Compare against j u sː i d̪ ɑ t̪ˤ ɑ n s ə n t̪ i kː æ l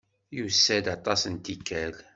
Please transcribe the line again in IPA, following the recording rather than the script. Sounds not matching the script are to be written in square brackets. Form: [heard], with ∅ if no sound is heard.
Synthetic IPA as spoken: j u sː [æ] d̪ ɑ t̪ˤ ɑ [∅] s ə n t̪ i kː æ l